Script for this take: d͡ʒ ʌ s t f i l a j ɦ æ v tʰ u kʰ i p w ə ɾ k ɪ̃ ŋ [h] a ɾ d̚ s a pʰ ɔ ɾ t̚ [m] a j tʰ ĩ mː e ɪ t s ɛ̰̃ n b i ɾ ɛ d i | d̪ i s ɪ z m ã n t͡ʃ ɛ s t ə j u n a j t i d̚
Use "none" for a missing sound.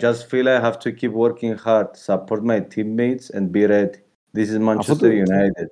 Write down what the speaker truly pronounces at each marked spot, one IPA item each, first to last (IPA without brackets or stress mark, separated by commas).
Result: h, m